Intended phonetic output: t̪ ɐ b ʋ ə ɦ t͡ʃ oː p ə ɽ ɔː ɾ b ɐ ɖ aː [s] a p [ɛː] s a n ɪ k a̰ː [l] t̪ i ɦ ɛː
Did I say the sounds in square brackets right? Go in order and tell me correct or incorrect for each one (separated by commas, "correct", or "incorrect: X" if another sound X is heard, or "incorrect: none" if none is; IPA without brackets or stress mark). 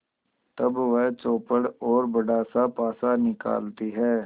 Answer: correct, incorrect: aː, correct